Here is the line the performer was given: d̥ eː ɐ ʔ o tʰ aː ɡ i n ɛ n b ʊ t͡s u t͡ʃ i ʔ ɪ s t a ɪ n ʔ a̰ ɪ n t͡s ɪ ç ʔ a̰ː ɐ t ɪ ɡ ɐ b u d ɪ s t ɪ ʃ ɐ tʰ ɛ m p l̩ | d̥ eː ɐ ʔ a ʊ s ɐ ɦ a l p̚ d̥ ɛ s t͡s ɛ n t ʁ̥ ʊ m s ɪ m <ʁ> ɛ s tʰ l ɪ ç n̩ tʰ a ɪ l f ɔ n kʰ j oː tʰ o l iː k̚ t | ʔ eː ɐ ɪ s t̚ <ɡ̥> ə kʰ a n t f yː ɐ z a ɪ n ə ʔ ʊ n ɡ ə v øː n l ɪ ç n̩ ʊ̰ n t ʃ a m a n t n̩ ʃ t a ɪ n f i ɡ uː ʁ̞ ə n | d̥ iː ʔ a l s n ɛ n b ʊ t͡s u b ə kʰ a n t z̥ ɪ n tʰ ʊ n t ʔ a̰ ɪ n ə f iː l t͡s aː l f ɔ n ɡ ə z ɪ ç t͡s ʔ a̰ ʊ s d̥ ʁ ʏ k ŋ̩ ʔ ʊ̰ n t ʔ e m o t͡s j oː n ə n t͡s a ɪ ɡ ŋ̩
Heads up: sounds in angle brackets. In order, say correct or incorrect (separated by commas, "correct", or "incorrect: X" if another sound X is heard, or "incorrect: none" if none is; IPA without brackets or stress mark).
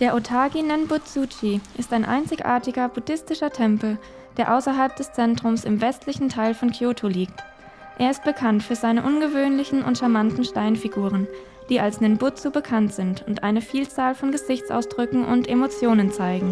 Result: incorrect: v, incorrect: b̥